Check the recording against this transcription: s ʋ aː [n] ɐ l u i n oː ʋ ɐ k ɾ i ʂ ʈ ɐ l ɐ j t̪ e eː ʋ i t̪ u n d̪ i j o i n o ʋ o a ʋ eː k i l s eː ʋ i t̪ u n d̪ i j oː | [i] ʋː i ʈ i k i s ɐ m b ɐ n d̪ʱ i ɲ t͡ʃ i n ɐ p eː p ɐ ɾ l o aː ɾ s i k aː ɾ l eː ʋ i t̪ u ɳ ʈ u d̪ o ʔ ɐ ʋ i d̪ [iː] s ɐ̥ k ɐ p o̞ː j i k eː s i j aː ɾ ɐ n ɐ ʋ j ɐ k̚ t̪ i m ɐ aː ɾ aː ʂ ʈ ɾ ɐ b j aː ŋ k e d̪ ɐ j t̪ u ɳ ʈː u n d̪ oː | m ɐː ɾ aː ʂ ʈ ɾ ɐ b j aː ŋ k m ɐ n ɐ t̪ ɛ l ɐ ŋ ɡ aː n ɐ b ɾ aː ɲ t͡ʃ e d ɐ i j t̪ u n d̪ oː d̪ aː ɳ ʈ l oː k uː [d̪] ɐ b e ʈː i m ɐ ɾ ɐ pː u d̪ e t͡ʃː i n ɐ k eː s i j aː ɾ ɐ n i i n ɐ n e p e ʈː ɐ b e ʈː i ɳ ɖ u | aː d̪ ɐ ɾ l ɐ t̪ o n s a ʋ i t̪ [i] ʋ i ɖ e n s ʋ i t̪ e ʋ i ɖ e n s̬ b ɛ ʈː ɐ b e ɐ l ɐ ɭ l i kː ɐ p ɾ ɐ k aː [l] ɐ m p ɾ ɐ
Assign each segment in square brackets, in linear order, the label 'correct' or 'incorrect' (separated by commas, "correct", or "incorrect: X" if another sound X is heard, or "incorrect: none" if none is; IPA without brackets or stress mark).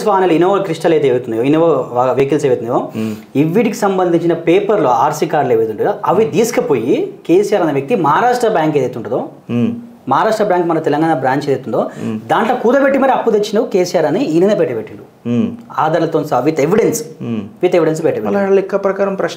correct, correct, correct, correct, incorrect: e, incorrect: ɾ